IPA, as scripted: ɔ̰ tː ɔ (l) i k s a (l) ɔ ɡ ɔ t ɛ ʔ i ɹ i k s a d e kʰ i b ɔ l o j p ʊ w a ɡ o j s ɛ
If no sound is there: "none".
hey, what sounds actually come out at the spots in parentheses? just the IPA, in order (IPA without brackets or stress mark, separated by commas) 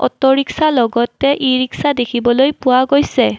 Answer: ɹ, l